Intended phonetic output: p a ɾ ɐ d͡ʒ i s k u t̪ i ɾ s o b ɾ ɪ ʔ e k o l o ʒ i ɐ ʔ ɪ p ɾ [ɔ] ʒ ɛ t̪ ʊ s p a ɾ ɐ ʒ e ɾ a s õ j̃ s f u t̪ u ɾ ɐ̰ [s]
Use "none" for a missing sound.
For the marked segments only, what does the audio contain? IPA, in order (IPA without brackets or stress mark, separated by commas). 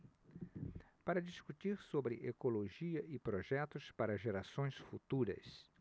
o, s